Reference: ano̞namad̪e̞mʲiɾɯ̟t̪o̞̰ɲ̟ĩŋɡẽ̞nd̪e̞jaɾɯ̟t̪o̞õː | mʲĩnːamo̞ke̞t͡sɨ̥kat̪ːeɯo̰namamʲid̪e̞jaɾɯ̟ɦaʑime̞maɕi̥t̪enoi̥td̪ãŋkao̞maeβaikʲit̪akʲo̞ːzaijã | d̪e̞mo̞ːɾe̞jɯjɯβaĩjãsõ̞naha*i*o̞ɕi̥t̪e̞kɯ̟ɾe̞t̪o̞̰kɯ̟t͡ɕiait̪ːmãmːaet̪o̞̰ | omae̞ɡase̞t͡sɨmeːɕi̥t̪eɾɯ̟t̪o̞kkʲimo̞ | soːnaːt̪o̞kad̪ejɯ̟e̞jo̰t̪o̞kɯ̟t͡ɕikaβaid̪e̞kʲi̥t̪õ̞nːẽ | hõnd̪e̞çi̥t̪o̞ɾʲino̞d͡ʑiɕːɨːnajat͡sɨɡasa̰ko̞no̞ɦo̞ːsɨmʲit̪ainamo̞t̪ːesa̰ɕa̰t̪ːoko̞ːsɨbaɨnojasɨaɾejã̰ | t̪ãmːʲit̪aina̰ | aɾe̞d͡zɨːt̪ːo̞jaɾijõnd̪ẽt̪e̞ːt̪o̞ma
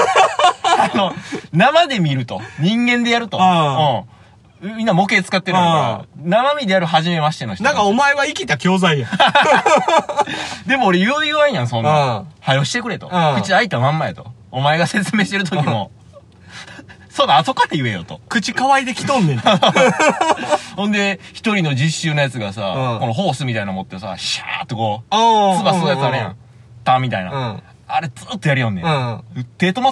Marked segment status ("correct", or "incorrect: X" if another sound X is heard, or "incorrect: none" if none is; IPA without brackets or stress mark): incorrect: j